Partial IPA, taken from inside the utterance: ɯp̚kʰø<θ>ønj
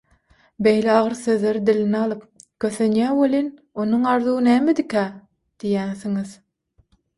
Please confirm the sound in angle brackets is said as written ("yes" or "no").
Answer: yes